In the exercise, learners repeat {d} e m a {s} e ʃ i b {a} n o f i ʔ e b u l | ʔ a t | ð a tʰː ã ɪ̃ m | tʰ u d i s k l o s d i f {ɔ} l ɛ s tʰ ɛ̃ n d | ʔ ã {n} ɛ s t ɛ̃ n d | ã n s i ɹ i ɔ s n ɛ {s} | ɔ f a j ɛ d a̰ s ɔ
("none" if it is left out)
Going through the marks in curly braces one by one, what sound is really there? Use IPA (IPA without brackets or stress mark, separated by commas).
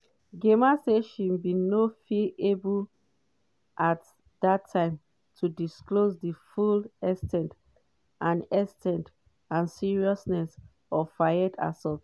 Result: ɡ, s, i, u, n, s